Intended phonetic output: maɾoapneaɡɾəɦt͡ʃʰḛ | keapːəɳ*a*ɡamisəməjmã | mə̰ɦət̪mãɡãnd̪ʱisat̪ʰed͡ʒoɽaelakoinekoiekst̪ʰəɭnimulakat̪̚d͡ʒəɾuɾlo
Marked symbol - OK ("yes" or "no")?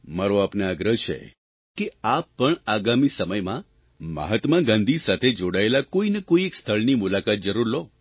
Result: yes